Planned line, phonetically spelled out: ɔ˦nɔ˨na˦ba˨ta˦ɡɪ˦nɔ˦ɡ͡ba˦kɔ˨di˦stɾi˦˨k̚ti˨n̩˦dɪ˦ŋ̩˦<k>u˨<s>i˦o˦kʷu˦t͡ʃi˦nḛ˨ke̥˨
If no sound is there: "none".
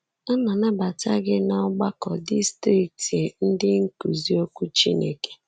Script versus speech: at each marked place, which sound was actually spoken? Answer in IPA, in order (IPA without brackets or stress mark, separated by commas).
k, z